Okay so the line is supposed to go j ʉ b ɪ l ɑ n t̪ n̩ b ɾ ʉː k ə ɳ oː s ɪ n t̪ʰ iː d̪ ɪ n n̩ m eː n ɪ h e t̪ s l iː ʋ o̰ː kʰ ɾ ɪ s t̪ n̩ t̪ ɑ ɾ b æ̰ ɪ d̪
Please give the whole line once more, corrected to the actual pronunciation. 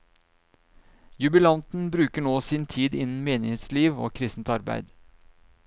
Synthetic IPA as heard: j ʉ b ɪ l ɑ n t̪ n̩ b ɾ ʉː k ə ɳ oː s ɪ n t̪ʰ iː d̪ ɪ n n̩ m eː n ɪ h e t̪ s l iː ʋ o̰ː kʰ ɾ ɪ s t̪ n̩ t̪ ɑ ɾ b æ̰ ɪ d̪